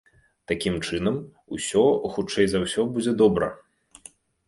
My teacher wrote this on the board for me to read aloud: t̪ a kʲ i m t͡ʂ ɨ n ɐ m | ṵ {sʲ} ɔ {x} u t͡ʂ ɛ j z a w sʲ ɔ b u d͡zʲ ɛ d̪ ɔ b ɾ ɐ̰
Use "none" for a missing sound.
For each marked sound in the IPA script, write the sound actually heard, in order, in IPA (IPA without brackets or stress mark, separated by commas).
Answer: sʲ, x